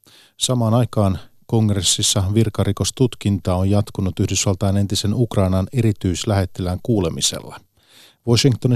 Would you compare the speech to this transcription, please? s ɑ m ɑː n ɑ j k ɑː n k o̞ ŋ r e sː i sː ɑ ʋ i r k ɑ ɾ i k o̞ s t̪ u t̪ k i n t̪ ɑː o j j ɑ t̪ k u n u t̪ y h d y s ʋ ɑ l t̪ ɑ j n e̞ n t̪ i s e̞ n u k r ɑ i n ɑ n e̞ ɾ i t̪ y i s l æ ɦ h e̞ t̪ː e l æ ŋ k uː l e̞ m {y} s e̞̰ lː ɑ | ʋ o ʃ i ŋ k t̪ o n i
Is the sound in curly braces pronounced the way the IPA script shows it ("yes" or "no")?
no